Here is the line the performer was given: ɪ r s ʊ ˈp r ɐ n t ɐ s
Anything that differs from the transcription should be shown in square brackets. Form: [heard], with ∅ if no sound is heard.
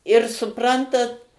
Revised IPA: ɪ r s ʊ ˈp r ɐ n t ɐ [t]